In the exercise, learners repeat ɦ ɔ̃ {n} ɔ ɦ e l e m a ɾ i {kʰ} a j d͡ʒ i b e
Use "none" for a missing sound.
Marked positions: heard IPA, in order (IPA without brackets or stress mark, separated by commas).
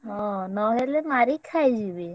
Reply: n, kʰ